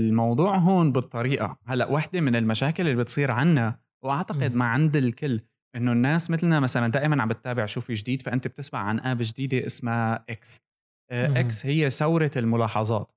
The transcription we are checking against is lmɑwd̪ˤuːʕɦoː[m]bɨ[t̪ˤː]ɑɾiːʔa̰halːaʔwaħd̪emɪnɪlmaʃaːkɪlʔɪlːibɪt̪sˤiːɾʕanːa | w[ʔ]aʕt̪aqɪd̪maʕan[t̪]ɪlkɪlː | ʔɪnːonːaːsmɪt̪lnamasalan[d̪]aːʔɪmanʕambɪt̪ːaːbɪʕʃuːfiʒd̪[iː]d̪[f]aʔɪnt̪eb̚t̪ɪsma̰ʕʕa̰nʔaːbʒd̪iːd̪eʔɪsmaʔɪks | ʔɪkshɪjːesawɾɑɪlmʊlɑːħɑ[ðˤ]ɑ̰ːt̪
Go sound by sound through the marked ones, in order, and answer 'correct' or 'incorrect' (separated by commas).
incorrect, correct, correct, incorrect, correct, correct, correct, incorrect